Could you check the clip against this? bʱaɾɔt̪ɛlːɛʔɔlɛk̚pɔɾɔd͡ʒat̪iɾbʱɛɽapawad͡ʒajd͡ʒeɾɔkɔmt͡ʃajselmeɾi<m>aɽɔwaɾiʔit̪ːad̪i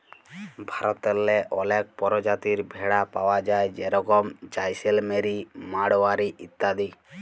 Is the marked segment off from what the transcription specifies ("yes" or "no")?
no